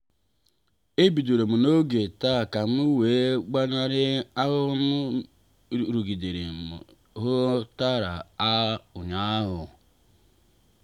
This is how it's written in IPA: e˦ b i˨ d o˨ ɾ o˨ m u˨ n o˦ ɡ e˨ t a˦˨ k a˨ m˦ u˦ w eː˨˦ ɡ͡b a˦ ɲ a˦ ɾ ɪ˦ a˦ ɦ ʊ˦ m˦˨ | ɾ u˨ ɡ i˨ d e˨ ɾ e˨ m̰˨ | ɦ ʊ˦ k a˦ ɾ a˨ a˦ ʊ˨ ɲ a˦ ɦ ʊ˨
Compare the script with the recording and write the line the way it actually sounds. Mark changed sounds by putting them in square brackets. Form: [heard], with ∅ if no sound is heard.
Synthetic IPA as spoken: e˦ b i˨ d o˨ ɾ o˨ m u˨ n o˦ ɡ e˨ t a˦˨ k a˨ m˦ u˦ w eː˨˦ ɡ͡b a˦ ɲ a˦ ɾ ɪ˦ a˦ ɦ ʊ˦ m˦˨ | ɾ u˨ ɡ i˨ d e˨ ɾ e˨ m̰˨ | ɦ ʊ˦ [t] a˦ ɾ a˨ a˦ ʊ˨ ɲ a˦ ɦ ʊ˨